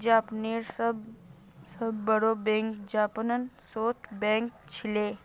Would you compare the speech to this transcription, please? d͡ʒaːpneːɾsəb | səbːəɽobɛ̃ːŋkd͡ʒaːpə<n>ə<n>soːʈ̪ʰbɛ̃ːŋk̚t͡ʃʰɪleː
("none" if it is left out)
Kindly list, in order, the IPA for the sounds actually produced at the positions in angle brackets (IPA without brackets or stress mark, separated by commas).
n, n